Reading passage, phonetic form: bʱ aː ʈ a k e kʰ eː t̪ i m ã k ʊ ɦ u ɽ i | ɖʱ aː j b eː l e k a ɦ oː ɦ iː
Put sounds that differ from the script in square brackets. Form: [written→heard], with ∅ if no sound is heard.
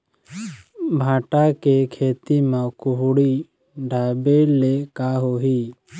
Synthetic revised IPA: bʱ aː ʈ a k e kʰ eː t̪ i m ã k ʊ ɦ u ɽ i | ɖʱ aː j b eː l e k a ɦ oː ɦ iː

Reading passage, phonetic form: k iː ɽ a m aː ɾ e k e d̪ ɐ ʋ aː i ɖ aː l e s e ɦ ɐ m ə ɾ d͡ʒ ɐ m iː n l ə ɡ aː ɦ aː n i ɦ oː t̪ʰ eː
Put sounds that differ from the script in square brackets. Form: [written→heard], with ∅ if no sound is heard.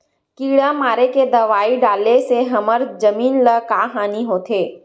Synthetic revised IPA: k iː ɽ a m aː ɾ e k e d̪ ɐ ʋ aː i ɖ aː l e s e ɦ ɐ m ə ɾ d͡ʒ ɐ m iː n l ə [ɡ→k] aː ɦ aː n i ɦ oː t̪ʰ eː

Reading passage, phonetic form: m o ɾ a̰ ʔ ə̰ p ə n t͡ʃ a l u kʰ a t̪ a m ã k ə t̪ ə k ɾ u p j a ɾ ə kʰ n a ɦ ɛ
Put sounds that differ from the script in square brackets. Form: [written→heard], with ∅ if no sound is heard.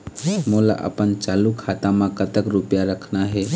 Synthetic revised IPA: m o [ɾ→l] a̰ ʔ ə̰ p ə n t͡ʃ a l u kʰ a t̪ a m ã k ə t̪ ə k ɾ u p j a ɾ ə kʰ n a ɦ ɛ

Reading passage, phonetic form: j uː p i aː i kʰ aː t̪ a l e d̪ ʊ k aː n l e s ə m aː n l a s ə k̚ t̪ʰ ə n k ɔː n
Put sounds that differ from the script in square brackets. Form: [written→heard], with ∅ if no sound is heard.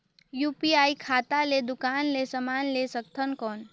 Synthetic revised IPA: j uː p i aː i kʰ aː t̪ a l e d̪ ʊ k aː n l e s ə m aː n l [a→e] s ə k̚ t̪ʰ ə n k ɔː n

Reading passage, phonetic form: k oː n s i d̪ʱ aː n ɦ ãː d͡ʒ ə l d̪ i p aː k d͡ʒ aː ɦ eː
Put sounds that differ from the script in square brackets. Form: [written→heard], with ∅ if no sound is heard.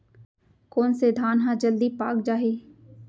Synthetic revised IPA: k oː n s [i→e] d̪ʱ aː n ɦ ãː d͡ʒ ə l d̪ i p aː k d͡ʒ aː ɦ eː

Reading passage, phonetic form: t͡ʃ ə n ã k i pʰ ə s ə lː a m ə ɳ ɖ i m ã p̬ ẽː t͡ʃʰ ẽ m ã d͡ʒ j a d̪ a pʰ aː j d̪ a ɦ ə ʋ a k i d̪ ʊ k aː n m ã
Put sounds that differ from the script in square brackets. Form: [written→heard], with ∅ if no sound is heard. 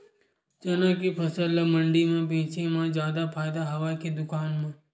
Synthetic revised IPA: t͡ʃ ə n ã k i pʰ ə s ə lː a m ə ɳ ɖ i m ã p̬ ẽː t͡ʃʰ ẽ m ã d͡ʒ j a d̪ a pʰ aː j d̪ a ɦ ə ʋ a k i d̪ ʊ k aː n m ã

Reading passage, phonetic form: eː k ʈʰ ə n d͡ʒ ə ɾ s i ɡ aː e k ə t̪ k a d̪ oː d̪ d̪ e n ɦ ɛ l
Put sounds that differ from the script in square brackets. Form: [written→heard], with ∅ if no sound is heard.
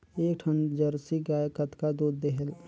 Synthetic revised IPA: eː k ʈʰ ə n d͡ʒ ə ɾ s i ɡ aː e k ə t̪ k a d̪ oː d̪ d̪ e [n→∅] ɦ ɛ l

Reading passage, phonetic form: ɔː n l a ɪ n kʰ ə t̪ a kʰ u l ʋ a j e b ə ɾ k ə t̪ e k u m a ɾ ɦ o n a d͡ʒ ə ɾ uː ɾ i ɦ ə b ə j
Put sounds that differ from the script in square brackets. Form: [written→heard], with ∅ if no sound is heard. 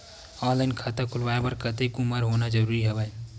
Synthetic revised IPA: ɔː n l a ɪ n kʰ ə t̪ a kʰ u l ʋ a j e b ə ɾ k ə t̪ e k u m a ɾ ɦ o n a d͡ʒ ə ɾ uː ɾ i ɦ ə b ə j

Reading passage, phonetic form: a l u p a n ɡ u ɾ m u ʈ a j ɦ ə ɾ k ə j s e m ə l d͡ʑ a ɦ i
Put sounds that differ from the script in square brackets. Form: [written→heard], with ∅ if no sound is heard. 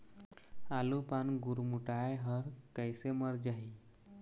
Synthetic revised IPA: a l u p a n ɡ u ɾ m u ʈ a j ɦ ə ɾ k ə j s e m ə [l→ɾ] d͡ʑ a ɦ i

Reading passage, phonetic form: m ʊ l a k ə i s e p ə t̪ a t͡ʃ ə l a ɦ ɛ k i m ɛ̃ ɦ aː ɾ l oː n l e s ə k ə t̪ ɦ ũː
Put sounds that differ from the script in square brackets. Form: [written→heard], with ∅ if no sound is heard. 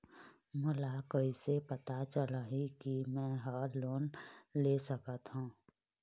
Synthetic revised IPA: m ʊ l a k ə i s e p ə t̪ a t͡ʃ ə l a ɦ [ɛ→i] k i m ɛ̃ ɦ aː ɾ l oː n l e s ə k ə t̪ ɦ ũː

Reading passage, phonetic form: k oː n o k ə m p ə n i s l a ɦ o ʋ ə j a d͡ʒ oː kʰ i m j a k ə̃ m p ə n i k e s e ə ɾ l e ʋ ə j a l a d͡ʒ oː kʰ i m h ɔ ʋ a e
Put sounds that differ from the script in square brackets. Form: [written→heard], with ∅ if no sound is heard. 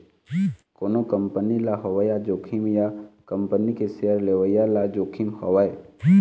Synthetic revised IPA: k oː n o k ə m p ə n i [s→∅] l a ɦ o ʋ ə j a d͡ʒ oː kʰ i m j a k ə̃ m p ə n i k e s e ə ɾ l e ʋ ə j a l a d͡ʒ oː kʰ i m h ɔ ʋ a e

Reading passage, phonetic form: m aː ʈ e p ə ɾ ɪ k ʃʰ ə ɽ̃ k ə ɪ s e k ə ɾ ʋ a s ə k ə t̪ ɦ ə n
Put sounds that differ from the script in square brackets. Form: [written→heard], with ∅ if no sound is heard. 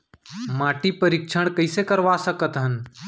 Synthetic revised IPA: m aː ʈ [e→i] p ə ɾ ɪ k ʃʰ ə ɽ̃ k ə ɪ s e k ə ɾ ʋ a s ə k ə t̪ ɦ ə n

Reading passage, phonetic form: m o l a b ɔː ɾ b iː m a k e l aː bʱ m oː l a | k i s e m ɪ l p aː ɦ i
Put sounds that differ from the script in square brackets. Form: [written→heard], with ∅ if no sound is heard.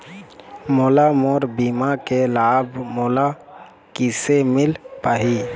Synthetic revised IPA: m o l a [b→m] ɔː ɾ b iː m a k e l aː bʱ m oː l a | k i s e m ɪ l p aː ɦ i

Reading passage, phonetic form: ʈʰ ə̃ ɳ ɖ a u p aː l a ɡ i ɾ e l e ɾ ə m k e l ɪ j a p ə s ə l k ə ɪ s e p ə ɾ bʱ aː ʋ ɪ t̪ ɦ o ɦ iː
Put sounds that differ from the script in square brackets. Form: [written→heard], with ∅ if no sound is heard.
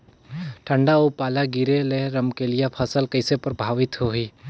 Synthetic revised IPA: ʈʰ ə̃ ɳ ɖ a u p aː l a ɡ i ɾ e l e ɾ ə m k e l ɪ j a [p→pʰ] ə s ə l k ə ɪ s e p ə ɾ bʱ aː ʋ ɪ t̪ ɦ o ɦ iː

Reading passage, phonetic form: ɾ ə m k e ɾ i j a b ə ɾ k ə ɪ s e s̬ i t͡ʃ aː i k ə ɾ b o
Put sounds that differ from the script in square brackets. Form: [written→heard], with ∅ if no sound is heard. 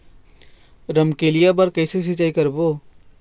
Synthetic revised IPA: ɾ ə m k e [ɾ→l] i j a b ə ɾ k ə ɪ s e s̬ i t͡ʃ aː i k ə ɾ b o

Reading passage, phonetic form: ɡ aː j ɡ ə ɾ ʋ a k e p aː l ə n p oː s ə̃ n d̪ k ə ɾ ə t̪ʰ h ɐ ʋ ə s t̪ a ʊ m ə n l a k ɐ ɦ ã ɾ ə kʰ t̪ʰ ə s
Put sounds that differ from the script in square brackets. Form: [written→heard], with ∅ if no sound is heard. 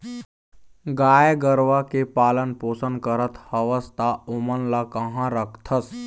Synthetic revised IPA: ɡ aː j ɡ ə ɾ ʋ a k e p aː l ə n p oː s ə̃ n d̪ k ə ɾ ə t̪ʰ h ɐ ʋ ə s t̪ a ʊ m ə n l a k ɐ ɦ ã ɾ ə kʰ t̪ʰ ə s

